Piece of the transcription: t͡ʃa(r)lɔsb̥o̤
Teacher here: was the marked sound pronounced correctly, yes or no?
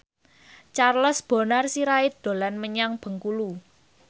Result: yes